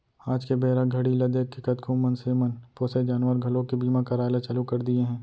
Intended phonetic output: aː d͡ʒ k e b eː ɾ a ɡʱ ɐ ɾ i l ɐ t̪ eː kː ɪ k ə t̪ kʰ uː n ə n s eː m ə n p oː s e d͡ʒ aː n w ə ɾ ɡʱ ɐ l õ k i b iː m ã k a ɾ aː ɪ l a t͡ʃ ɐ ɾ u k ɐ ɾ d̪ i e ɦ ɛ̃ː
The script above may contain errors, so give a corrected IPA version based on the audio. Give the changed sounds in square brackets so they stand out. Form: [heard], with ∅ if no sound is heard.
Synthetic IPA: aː d͡ʒ k e b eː ɾ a ɡʱ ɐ [ɽ] i l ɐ [d̪] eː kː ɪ k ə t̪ kʰ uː [m] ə n s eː m ə n p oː s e d͡ʒ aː n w ə ɾ ɡʱ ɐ l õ k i b iː m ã k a ɾ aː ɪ l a t͡ʃ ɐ [l] u k ɐ ɾ d̪ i e ɦ ɛ̃ː